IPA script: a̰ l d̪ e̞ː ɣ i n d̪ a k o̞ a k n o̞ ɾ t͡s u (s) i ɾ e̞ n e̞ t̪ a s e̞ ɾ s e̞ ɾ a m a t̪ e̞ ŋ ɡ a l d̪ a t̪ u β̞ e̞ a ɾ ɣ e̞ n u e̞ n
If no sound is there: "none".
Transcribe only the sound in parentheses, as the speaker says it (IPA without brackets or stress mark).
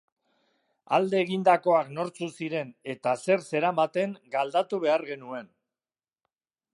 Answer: s